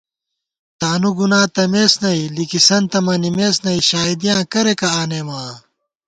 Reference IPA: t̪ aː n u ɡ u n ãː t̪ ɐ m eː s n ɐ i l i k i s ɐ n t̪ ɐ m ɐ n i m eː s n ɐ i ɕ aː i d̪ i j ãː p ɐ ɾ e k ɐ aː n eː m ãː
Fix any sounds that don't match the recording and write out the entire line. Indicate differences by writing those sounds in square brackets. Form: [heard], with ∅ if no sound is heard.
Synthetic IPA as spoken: t̪ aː n u ɡ u n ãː t̪ ɐ m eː s n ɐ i l i k i s ɐ n t̪ ɐ m ɐ n i m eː s n ɐ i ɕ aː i d̪ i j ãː [k] ɐ ɾ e k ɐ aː n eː m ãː